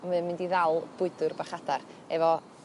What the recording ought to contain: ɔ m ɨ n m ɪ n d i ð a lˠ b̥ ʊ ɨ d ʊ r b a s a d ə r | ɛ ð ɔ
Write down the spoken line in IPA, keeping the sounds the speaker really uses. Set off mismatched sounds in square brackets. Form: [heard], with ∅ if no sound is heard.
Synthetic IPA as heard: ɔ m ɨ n m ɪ n d i ð a lˠ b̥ ʊ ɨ d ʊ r b a [χ] a d [a] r | ɛ [v] ɔ